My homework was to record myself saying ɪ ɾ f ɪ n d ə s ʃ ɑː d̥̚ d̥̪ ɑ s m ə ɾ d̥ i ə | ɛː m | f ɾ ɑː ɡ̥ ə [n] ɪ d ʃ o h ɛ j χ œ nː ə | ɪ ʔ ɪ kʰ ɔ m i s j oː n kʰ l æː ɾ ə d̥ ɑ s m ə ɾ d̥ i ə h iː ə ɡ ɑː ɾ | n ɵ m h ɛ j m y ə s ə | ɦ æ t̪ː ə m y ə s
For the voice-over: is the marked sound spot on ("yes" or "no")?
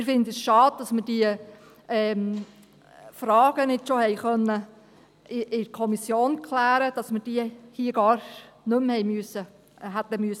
yes